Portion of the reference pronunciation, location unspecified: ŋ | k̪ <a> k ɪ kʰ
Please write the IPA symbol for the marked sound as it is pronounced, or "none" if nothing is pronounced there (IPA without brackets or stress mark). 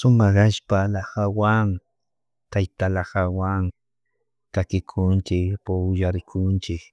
a